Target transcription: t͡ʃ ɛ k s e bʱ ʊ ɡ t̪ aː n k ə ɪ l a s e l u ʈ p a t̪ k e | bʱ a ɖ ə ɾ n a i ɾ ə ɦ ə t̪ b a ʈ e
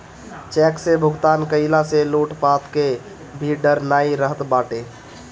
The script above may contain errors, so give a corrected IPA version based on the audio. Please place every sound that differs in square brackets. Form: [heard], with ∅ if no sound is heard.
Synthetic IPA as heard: t͡ʃ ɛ k s e bʱ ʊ ɡ t̪ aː n k ə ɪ l a s e l u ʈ p a t̪ k e | bʱ [i] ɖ ə ɾ n a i ɾ ə ɦ ə t̪ b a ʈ e